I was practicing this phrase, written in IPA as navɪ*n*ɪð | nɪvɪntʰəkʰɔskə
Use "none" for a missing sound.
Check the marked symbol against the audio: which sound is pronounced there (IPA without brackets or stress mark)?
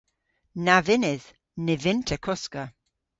n